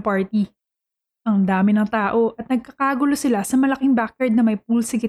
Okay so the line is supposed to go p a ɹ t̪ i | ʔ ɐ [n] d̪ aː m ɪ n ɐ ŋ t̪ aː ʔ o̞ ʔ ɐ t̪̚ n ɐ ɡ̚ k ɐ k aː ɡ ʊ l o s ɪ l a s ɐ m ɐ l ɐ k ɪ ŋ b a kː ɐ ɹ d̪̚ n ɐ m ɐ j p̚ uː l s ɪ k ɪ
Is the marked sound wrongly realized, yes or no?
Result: yes